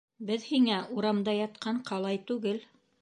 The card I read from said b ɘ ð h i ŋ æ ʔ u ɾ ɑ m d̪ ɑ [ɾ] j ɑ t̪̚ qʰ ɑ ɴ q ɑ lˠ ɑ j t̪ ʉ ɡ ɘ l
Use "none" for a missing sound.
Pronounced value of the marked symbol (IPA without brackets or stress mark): none